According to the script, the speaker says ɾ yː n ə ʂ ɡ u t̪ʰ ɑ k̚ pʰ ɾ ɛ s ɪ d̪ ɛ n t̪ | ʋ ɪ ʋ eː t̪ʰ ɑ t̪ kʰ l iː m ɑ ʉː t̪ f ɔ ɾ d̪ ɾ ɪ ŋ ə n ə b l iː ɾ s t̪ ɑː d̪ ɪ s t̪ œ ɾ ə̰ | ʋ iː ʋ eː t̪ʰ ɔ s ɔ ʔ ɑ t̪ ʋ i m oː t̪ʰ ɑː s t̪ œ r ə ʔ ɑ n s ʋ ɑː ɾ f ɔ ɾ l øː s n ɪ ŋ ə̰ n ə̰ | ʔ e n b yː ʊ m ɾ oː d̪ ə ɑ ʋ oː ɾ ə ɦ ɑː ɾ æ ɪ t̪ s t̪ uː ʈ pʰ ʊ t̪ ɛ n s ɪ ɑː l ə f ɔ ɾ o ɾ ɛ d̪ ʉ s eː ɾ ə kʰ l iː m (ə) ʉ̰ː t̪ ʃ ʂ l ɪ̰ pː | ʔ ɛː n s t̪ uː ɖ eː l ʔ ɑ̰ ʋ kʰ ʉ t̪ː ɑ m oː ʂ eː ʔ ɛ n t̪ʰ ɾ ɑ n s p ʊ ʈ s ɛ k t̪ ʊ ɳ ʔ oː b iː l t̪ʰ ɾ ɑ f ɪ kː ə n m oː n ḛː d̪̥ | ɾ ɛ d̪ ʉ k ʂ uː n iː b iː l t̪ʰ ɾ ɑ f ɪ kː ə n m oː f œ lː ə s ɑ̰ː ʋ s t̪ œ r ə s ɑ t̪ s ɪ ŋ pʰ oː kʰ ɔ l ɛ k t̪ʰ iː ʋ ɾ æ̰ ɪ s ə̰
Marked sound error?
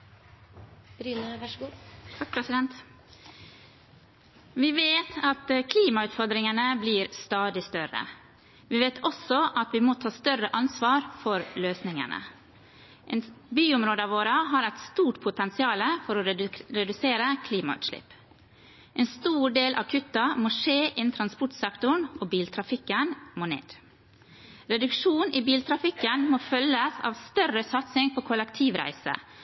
yes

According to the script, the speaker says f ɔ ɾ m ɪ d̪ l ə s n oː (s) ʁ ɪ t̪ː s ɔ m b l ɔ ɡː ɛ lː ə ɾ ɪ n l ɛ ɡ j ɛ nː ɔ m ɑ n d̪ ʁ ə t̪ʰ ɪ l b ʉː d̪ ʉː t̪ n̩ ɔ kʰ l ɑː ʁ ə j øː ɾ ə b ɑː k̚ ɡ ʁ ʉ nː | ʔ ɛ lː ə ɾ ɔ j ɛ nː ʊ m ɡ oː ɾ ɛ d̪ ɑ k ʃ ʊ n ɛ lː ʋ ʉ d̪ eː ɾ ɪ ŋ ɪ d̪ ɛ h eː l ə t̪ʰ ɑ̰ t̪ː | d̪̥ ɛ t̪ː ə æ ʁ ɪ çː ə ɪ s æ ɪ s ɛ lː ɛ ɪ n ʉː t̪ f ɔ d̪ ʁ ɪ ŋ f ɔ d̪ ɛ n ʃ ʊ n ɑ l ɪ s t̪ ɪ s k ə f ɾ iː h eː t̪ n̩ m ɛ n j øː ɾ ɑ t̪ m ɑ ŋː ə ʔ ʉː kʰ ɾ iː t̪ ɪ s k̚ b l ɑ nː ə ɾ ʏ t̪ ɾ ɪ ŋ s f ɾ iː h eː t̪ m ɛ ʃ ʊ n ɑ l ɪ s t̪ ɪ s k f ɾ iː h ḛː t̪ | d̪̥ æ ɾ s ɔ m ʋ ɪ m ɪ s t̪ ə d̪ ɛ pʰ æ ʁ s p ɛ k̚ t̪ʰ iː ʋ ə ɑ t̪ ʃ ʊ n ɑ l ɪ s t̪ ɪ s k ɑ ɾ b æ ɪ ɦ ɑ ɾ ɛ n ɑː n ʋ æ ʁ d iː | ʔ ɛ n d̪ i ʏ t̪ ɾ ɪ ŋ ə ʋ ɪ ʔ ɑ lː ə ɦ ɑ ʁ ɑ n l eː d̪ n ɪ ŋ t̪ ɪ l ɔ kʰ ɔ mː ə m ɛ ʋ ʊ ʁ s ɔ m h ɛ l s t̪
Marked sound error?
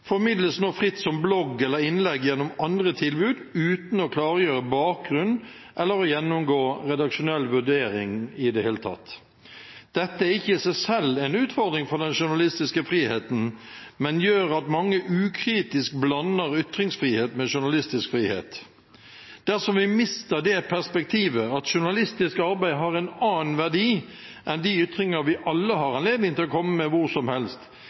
yes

